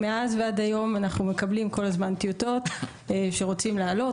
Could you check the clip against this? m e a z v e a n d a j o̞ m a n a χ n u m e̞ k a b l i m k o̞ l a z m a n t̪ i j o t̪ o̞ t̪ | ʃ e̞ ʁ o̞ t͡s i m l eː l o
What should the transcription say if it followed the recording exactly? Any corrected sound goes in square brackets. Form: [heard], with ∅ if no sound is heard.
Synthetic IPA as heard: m e a z v e a [∅] d a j o̞ m a n a χ n u m e̞ k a b l i m k o̞ l a z m a n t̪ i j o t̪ o̞ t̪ | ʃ e̞ ʁ o̞ t͡s i m l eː l o